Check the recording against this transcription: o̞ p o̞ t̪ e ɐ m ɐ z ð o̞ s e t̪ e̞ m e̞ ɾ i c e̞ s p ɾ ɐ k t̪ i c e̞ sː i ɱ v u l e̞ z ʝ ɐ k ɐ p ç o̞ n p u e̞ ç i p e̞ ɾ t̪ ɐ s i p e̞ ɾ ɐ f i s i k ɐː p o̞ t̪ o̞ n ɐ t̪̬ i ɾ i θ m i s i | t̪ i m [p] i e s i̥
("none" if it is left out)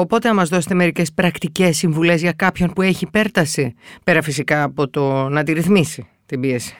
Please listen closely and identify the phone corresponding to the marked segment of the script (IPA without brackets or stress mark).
b